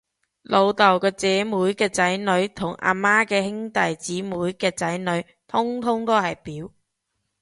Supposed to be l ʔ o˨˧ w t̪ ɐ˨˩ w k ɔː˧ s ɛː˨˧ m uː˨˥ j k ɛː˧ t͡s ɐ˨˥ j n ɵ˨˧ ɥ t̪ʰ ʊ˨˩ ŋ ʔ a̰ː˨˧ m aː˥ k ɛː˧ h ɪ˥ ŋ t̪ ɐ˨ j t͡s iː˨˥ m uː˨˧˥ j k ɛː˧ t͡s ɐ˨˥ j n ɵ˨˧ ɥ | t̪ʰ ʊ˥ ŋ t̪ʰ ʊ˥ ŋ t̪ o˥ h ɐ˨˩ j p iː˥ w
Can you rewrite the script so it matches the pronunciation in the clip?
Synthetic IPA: l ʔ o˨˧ w t̪ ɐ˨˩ w k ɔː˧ t͡s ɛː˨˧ m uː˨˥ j k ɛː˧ t͡s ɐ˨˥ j n ɵ˨˧ ɥ t̪ʰ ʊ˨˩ ŋ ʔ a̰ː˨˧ m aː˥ k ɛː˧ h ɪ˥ ŋ t̪ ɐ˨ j t͡s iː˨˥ m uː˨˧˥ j k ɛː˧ t͡s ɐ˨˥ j n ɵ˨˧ ɥ | t̪ʰ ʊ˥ ŋ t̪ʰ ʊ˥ ŋ t̪ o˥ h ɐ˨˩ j p iː˨˥ w